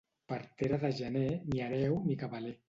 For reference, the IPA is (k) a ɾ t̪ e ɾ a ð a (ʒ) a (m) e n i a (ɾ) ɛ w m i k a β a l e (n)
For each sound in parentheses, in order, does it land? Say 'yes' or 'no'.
no, yes, no, yes, no

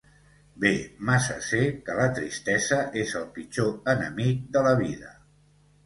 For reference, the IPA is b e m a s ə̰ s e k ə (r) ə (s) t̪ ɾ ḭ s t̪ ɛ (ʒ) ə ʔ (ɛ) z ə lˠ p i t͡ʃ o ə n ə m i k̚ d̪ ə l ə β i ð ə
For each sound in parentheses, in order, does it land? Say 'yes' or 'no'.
no, no, no, no

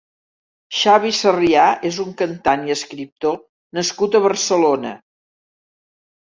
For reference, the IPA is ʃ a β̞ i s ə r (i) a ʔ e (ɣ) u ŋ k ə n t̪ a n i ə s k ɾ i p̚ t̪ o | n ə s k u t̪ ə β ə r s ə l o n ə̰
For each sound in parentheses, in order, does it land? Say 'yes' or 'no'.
yes, no

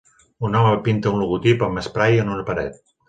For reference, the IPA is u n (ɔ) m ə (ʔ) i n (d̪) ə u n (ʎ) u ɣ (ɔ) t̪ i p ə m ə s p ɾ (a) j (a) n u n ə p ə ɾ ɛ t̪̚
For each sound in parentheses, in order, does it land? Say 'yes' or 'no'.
yes, no, no, no, no, yes, no

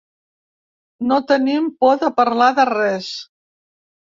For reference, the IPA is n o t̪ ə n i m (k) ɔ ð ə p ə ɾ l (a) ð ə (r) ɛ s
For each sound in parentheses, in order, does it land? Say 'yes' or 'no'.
no, yes, yes

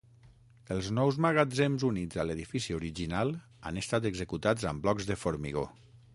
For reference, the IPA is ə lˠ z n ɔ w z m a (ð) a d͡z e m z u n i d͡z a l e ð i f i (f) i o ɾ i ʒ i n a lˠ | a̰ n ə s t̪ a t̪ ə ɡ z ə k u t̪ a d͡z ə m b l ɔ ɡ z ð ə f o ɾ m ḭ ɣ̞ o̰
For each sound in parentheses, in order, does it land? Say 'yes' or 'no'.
no, no

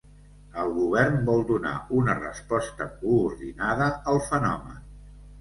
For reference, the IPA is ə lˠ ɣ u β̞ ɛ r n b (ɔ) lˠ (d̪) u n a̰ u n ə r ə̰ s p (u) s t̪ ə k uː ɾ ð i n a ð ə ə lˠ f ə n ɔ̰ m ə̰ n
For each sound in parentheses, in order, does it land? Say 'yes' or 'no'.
yes, yes, no

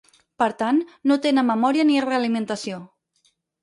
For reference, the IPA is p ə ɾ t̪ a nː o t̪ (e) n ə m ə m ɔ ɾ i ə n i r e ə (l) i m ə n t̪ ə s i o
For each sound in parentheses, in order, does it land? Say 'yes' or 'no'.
yes, yes

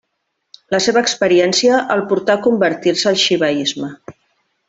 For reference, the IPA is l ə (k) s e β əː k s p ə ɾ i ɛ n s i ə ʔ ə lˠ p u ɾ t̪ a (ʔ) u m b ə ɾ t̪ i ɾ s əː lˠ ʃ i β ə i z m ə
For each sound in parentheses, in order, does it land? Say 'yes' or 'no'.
no, no

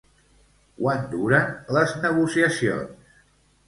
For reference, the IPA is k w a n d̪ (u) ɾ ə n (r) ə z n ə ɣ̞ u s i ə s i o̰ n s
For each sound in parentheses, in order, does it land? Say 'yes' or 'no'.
yes, no

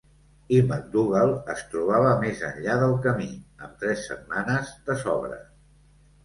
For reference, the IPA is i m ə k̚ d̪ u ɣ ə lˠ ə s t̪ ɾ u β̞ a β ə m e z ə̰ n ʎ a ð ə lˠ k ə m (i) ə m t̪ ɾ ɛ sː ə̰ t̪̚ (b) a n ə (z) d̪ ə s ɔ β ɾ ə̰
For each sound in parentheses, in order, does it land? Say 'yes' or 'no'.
yes, no, yes

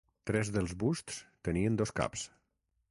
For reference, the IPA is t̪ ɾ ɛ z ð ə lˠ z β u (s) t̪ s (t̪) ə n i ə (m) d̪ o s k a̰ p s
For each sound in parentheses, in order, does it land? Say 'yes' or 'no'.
yes, yes, no

